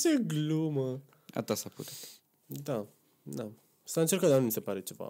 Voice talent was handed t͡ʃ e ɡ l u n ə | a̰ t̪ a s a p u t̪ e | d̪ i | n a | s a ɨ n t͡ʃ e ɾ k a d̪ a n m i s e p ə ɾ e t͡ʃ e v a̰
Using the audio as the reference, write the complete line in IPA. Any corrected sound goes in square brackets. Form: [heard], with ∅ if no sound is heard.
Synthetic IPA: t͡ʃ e ɡ l u [m] ə | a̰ t̪ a s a p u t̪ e | d̪ [a] | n a | s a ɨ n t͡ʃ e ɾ k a d̪ a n m i s e p [a] ɾ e t͡ʃ e v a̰